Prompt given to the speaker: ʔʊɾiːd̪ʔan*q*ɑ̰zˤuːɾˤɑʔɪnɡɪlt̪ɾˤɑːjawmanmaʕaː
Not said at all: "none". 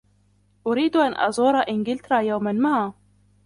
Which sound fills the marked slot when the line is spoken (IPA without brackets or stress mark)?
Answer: ʔ